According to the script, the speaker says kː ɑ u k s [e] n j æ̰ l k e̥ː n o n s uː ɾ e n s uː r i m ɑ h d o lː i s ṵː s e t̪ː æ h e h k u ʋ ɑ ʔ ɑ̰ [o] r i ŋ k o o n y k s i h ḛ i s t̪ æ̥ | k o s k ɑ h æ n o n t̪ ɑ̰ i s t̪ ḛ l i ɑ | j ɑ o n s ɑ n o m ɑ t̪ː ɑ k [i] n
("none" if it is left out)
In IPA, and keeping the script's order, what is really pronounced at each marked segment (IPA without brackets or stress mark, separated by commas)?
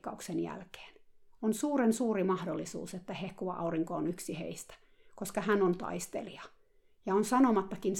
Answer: e, u, i